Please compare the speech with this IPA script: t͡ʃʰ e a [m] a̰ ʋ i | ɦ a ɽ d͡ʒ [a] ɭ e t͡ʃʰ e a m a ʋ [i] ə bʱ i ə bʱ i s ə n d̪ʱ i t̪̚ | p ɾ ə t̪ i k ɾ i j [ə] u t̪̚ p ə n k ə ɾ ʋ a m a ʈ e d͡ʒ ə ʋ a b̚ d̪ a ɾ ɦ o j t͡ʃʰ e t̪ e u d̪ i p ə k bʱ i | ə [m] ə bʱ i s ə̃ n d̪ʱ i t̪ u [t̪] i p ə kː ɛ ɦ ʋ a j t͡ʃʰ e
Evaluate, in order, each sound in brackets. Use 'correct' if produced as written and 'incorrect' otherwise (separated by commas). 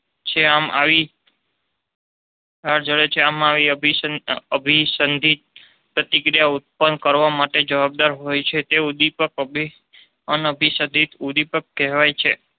correct, incorrect, correct, incorrect, incorrect, incorrect